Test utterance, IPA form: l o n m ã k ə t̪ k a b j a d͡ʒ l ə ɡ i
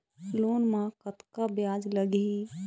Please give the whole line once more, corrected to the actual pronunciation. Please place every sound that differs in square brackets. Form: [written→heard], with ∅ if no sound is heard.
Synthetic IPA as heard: l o n m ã k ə t̪ k a b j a d͡ʒ l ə ɡ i